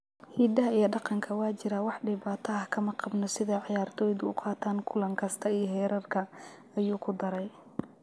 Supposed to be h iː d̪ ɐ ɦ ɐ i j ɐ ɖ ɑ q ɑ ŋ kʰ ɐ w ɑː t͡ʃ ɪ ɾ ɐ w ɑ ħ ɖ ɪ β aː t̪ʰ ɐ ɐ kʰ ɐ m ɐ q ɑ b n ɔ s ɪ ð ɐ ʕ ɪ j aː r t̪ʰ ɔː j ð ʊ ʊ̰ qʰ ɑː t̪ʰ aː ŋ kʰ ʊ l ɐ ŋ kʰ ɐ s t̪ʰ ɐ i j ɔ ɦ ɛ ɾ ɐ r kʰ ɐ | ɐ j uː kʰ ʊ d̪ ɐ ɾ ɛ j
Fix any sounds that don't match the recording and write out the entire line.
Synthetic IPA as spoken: h iː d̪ ɐ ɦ ɐ i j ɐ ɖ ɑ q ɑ ŋ kʰ ɐ w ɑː t͡ʃ ɪ ɾ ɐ w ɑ ħ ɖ ɪ β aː t̪ʰ ɐ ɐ kʰ ɐ m ɐ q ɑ b n ɔ s ɪ ð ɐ ʕ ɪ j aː r t̪ʰ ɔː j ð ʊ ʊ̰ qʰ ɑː t̪ʰ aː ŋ kʰ ʊ l ɐ ŋ kʰ ɐ s t̪ʰ ɐ i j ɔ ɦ ɛː ɾ ɐ r kʰ ɐ | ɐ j uː kʰ ʊ d̪ ɐ ɾ ɛ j

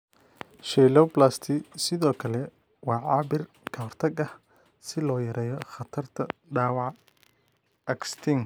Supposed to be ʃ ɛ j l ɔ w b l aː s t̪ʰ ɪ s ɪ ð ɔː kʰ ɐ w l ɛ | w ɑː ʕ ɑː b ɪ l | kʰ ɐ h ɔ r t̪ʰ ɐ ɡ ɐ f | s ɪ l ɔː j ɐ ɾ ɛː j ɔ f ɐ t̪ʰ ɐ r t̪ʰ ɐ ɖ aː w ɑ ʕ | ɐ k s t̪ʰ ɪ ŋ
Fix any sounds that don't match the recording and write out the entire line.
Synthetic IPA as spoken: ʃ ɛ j l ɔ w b l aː s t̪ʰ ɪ s ɪ ð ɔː kʰ ɐ l ɛ | w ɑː ʕ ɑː b ɪ r | kʰ ɐ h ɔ r t̪ʰ ɐ ɡ ɐ h | s ɪ l ɔː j ɐ ɾ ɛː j ɔ χ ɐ t̪ʰ ɐ r t̪ʰ ɐ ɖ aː w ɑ ʕ | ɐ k s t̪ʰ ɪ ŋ

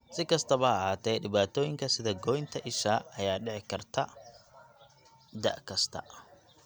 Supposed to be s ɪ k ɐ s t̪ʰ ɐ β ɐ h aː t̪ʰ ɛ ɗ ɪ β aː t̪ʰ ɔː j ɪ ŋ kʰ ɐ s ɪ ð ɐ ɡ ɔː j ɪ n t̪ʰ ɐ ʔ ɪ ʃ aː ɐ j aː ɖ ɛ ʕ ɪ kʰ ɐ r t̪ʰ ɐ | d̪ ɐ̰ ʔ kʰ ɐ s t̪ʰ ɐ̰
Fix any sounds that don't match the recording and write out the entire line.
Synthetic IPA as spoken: s ɪ k ɐ s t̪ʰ ɐ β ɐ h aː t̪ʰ ɛ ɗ ɪ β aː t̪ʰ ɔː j ɪ ŋ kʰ ɐ s ɪ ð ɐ ɡ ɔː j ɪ n t̪ʰ ɐ ʔ ɪ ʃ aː ɐ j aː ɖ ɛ ʕ ɪ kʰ ɐ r t̪ʰ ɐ | d̪ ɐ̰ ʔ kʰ ɐ s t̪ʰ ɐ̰

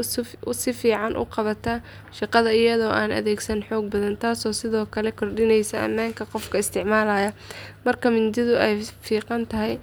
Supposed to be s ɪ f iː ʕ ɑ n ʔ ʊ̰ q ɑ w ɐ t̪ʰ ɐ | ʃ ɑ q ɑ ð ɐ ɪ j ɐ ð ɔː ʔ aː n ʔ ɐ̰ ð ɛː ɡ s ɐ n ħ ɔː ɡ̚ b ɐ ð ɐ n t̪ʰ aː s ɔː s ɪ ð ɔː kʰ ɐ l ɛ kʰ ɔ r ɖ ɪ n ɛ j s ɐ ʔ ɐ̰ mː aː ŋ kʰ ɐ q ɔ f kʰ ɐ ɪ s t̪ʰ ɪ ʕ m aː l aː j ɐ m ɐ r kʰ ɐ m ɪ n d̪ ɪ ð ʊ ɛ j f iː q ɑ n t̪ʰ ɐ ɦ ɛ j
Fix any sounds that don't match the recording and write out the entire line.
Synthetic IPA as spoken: s ɪ f iː ʕ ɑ n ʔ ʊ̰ q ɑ β ɐ t̪ʰ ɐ | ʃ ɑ q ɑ ð ɐ ɪ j ɐ ð ɔː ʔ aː n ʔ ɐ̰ ð ɛː ɡ s ɐ n ħ ɔː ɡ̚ b ɐ ð ɐ n t̪ʰ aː s ɔː s ɪ ð ɔː kʰ ɐ l ɛ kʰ ɔ r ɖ ɪ n ɛ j s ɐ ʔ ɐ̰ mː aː ŋ kʰ ɐ q ɔ f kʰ ɐ ɪ s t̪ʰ ɪ ʕ m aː l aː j ɐ m ɐ r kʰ ɐ m ɪ n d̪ ɪ ð ʊ ɛ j f iː q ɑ n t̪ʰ ɐ ɦ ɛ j

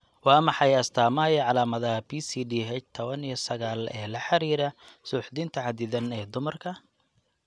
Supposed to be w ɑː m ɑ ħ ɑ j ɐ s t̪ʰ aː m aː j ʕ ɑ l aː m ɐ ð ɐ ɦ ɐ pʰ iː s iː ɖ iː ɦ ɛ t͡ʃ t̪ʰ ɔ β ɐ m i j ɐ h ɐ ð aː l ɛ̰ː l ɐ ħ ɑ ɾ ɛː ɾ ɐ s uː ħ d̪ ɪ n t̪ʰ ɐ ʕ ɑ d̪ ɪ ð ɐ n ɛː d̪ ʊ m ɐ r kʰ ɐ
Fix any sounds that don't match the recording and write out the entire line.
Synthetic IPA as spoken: w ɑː m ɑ ħ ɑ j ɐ s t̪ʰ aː m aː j ʕ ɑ l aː m ɐ ð ɐ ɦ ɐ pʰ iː s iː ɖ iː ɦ ɛ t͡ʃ t̪ʰ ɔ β ɐ n i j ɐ s ɐ ɣ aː l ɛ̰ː l ɐ ħ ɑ ɾ iː ɾ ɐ s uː ħ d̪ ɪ n t̪ʰ ɐ ʕ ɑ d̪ ɪ ð ɐ n ɛː d̪ ʊ m ɐ r kʰ ɐ

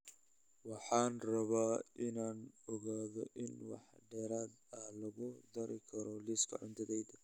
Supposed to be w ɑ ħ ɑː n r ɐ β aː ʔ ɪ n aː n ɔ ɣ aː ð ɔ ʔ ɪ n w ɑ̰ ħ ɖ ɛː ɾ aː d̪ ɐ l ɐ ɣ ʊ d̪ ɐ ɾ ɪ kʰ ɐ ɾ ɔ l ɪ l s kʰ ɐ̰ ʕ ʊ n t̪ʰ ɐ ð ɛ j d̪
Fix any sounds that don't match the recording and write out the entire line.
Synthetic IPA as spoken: w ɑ ħ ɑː n r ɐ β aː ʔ ɪ n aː n ɔ ɣ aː ð ɔ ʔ ɪ n w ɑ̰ ħ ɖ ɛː ɾ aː d̪ ɐ l ɐ ɣ ʊ d̪ ɐ ɾ ɪ kʰ ɐ ɾ ɔ l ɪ s kʰ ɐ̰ ʕ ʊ n t̪ʰ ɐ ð ɛ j d̪

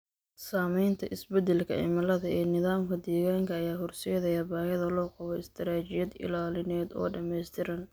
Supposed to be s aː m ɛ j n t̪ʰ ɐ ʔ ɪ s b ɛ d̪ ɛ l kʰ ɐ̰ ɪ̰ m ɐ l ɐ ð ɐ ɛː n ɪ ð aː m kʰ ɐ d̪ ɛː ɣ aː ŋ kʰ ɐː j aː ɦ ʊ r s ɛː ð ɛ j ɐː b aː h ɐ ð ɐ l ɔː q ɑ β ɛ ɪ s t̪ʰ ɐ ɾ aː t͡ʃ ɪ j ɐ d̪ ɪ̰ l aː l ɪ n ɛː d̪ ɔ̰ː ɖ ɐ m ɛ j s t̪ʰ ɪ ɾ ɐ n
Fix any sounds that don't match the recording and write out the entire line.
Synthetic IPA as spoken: s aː m ɛ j n t̪ʰ ɐ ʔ ɪ s b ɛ d̪ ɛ l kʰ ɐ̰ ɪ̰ m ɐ l ɐ ð ɐ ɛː n ɪ ð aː m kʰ ɐ d̪ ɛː ɣ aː ŋ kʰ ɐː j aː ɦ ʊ r s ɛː ð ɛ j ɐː b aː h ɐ ð ɐ l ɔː q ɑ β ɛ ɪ s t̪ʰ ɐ ɾ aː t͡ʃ ɪ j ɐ d̪ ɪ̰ l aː l ɪ n ɛː d̪ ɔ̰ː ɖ ɐ m ɛ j s t̪ʰ ɪ ɾ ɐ n

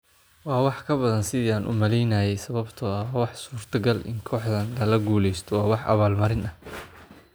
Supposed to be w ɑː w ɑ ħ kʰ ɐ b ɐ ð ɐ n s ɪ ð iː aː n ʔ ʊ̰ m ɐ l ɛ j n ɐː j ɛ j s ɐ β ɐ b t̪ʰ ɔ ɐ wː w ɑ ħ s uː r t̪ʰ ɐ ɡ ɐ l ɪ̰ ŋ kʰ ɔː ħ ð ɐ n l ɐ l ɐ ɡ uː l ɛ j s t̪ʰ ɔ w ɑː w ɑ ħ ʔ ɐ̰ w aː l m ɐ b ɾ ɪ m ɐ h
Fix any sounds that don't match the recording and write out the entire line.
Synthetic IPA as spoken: w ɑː w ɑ ħ kʰ ɐ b ɐ ð ɐ n s ɪ ð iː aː n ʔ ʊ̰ m ɐ l ɛ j n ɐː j ɛ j s ɐ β ɐ b t̪ʰ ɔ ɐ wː w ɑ ħ s uː r t̪ʰ ɐ ɡ ɐ l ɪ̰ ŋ kʰ ɔː ħ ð ɐ n l ɐ l ɐ ɡ uː l ɛ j s t̪ʰ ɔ w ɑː w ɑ ħ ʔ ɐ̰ β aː l m ɐ ɾ ɪ n ɐ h

